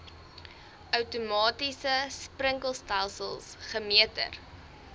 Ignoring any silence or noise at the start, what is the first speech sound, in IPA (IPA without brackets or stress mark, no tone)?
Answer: œ